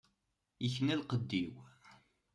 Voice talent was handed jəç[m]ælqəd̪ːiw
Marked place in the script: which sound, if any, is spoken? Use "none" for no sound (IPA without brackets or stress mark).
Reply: n